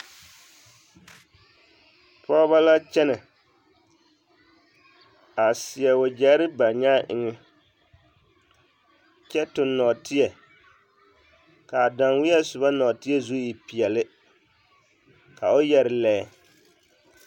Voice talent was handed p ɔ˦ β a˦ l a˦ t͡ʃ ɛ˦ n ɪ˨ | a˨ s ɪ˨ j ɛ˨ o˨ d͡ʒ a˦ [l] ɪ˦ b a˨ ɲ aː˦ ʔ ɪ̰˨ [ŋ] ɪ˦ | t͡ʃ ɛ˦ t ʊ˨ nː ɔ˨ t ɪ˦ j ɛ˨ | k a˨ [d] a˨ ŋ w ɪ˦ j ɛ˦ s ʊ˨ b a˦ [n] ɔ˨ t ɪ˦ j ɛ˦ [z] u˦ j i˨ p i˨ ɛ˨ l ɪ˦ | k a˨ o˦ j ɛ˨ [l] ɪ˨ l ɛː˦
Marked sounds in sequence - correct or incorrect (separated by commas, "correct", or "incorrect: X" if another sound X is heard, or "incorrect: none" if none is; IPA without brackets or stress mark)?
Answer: incorrect: ɾ, correct, correct, correct, correct, incorrect: ɾ